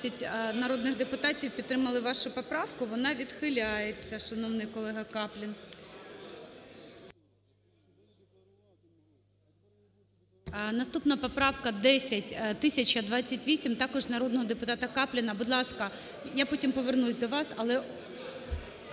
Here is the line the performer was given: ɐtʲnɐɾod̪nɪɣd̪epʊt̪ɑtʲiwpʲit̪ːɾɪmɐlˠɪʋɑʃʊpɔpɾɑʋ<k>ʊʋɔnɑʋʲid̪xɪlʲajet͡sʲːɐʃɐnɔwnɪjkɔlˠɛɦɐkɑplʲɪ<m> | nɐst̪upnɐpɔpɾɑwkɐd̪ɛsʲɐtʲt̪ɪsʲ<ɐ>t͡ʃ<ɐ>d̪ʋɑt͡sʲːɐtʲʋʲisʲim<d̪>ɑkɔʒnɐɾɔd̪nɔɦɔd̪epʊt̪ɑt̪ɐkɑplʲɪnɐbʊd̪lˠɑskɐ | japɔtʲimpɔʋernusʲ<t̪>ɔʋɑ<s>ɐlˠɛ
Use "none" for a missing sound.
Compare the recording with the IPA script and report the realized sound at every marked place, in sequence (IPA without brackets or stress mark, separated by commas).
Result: k, n, ɐ, ɐ, t̪, d̪, s